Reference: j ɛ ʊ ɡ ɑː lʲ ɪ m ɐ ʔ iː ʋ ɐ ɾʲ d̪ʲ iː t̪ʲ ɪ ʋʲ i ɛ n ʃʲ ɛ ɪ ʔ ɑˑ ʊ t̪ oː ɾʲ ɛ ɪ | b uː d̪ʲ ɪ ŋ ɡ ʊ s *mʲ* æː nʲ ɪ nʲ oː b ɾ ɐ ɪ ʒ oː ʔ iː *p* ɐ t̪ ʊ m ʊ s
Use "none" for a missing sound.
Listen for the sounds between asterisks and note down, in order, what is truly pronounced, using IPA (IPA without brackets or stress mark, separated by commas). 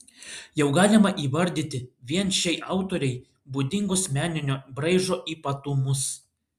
mʲ, p